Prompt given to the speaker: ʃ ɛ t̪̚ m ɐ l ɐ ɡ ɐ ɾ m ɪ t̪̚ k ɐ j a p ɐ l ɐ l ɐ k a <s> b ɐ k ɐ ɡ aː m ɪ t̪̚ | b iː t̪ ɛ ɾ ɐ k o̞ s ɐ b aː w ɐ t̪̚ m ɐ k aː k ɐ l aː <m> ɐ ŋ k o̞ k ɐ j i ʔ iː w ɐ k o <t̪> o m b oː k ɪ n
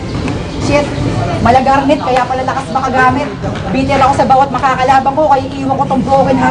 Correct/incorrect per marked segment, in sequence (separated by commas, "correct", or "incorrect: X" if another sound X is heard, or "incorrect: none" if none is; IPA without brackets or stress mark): correct, incorrect: b, correct